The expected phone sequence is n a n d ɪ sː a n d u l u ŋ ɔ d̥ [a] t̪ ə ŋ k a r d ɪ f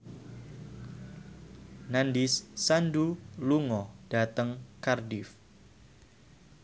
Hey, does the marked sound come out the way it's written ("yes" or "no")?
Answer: yes